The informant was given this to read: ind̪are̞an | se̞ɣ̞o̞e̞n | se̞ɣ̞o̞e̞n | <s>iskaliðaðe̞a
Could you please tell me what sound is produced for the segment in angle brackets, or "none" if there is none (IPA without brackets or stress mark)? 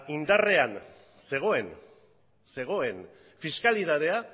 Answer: f